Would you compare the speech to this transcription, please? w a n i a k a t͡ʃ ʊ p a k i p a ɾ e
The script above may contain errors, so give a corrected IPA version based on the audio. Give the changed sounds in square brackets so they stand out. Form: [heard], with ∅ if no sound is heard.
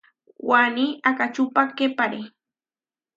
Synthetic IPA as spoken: w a n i a k a t͡ʃ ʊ p a k [e] p a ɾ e